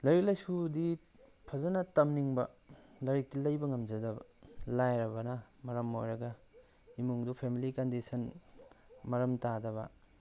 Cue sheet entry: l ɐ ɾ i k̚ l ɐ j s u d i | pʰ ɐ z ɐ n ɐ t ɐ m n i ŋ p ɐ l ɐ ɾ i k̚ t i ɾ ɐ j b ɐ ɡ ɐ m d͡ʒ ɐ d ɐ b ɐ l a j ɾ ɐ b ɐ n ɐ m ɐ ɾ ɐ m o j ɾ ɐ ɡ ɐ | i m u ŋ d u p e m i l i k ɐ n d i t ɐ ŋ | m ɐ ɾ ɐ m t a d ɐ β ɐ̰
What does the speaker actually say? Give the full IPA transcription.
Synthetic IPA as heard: l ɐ ɾ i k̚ l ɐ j s u d i | pʰ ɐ z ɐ n ɐ t ɐ m n i ŋ b ɐ l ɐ ɾ i k̚ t i l ɐ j b ɐ ŋ ɐ m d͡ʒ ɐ d ɐ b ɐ l a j ɾ ɐ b ɐ n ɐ m ɐ ɾ ɐ m o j ɾ ɐ ɡ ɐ | i m u ŋ d u pʰ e m i l i k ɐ n d i s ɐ n | m ɐ ɾ ɐ m t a d ɐ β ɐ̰